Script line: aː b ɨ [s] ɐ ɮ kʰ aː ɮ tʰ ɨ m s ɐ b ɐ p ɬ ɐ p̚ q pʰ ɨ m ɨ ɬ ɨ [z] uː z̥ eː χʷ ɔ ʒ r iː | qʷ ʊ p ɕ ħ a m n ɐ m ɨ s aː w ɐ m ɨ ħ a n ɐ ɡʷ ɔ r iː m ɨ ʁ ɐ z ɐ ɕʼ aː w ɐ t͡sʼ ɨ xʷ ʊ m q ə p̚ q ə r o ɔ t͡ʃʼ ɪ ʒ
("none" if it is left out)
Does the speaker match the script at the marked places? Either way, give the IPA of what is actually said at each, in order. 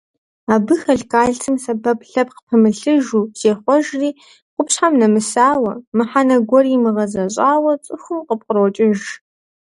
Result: x, ʒ

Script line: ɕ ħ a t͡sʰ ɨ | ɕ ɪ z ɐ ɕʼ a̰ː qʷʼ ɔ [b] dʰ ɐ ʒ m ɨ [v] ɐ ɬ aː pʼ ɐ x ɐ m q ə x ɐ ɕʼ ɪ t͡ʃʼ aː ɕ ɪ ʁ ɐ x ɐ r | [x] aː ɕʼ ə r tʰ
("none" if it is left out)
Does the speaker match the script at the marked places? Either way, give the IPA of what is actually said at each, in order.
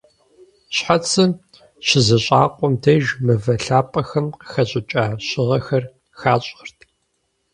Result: m, v, x

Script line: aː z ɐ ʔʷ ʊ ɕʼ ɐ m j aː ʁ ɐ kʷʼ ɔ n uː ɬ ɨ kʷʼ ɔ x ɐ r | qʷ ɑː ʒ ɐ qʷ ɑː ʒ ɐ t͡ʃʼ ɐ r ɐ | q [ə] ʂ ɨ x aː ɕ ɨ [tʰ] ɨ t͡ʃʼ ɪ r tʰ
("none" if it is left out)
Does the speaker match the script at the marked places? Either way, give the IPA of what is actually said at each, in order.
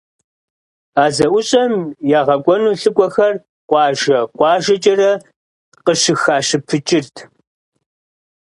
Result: ə, pʰ

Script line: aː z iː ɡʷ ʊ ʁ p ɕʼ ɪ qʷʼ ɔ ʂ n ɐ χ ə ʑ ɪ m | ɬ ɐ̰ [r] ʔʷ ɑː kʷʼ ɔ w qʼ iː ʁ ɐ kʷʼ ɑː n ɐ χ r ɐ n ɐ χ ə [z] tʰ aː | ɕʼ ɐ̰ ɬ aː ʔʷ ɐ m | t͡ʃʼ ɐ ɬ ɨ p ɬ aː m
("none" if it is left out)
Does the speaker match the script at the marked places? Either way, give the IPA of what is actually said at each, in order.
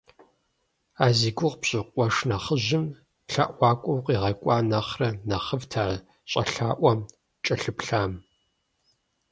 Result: none, v

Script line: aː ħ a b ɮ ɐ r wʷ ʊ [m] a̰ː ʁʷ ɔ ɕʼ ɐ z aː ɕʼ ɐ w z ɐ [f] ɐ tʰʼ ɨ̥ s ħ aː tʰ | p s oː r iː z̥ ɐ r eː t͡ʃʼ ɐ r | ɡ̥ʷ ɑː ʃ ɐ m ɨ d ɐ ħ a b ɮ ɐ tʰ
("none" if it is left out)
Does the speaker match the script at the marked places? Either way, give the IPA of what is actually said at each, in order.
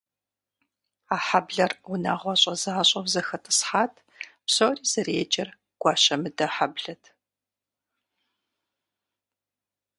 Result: n, x

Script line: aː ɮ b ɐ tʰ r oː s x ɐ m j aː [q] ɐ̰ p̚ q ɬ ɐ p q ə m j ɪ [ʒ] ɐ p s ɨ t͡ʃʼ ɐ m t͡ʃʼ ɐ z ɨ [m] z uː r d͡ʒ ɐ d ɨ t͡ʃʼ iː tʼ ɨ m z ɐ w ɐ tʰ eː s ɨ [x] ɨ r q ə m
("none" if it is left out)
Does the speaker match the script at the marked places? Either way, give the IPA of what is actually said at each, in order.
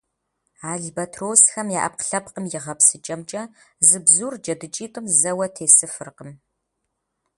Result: ʔ, ʁ, b, f

